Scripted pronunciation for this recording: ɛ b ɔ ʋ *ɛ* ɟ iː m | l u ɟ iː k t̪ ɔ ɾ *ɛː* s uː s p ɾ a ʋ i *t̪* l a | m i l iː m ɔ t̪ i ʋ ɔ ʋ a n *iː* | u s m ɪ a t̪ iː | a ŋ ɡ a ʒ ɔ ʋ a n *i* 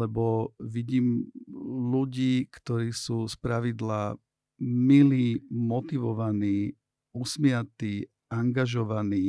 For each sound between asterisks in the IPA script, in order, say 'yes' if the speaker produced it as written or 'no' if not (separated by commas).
no, no, no, yes, no